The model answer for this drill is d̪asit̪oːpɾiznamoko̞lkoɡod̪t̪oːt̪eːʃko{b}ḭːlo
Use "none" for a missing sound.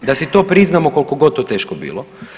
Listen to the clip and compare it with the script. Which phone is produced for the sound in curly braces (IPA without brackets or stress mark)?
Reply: b